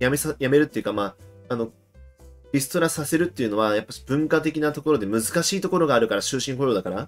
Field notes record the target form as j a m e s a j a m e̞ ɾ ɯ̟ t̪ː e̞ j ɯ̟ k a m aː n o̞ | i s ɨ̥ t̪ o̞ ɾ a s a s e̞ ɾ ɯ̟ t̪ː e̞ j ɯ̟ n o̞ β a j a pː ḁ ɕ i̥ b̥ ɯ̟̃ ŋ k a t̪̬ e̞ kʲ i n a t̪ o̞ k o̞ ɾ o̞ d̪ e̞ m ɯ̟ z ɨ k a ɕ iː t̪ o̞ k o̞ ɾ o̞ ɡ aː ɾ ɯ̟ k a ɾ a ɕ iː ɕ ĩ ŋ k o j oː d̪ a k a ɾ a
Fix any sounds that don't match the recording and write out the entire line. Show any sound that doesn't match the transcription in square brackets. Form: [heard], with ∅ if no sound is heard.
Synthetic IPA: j a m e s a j a m e̞ ɾ ɯ̟ t̪ː e̞ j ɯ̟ k a m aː n o̞ | i s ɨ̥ t̪ o̞ ɾ a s a s e̞ ɾ ɯ̟ t̪ː e̞ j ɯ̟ n o̞ β a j a pː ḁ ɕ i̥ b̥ ɯ̟̃ ŋ k a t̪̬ e̞ kʲ i n a t̪ o̞ k o̞ ɾ o̞ d̪ e̞ m ɯ̟ z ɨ k a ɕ iː t̪ o̞ k o̞ ɾ o̞ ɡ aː ɾ ɯ̟ k a ɾ a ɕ [ɨː] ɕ ĩ ŋ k o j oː d̪ a k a ɾ a